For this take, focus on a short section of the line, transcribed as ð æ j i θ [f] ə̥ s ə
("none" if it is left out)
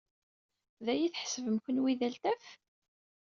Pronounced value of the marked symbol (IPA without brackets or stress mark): ħ